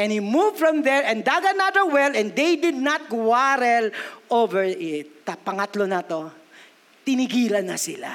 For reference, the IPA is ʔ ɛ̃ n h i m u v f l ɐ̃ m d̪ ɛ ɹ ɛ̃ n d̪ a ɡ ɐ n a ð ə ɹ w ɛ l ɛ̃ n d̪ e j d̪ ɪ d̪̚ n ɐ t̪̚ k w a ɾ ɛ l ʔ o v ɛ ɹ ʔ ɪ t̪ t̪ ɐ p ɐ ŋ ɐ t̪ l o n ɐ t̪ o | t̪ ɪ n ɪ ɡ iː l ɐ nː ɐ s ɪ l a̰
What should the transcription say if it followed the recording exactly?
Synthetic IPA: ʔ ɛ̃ n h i m u v f ɹ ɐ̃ m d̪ ɛ ɹ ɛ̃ n d̪ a ɡ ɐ n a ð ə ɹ w ɛ l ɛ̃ n d̪ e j d̪ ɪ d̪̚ n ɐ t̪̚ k w a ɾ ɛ l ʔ o v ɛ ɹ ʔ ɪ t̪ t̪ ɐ p ɐ ŋ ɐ t̪ l o n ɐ t̪ o | t̪ ɪ n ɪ ɡ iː l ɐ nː ɐ s ɪ l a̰